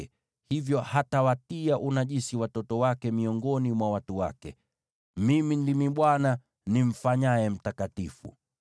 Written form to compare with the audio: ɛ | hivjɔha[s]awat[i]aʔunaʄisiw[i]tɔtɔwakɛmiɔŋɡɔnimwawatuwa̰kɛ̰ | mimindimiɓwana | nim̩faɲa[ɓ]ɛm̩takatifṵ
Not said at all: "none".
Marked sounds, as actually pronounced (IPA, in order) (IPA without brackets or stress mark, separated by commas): t, i, a, none